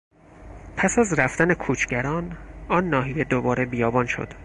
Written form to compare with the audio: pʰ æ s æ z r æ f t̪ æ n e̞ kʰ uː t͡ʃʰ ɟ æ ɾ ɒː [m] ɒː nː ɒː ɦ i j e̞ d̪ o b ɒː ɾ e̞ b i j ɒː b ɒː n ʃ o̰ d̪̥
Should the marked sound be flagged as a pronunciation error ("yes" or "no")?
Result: yes